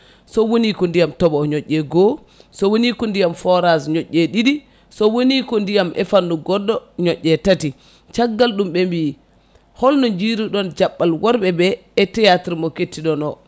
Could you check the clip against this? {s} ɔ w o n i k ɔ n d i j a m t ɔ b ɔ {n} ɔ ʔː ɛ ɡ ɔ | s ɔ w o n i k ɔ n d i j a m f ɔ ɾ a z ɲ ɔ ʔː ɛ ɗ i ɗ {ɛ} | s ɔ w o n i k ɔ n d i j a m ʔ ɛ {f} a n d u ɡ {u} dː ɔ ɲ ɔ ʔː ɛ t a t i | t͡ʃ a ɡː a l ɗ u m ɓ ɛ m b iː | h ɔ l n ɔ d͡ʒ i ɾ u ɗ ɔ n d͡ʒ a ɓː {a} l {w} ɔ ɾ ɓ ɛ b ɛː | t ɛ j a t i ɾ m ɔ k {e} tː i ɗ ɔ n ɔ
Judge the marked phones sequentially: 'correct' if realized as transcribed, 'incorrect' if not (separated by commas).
correct, incorrect, incorrect, correct, incorrect, correct, correct, correct